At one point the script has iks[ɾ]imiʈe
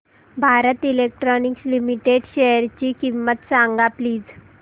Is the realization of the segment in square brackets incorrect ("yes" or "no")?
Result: yes